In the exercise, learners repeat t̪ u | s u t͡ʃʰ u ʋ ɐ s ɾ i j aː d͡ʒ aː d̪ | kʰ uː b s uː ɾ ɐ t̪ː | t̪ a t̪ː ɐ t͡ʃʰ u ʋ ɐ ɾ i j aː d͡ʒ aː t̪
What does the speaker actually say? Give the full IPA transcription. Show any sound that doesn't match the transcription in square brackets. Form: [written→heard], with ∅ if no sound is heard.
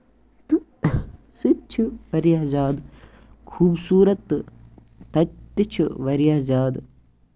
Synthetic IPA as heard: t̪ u | s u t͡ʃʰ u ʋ ɐ [s→∅] ɾ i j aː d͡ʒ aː d̪ | kʰ uː b s uː ɾ ɐ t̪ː | t̪ [a→ɐ] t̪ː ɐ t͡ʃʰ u ʋ ɐ ɾ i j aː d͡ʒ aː [t̪→d̪]